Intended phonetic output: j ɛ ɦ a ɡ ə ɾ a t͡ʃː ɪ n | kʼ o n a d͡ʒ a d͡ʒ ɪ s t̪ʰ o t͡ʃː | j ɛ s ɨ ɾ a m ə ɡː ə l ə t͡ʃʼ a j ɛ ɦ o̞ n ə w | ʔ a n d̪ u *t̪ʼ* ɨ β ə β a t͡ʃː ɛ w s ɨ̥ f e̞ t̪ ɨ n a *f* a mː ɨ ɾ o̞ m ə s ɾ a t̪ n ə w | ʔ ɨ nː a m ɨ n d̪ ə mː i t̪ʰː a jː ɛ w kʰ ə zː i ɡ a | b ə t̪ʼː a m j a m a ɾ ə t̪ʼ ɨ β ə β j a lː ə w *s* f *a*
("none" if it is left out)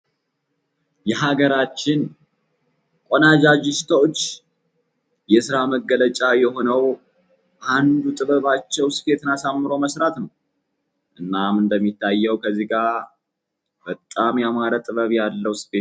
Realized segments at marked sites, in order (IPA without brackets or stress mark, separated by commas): t̪ʼ, s, s, e